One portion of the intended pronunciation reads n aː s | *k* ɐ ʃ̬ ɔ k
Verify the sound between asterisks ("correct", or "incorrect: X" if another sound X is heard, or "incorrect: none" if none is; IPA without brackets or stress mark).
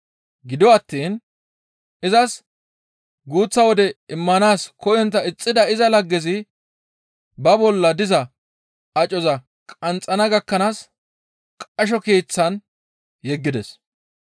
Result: incorrect: kʼ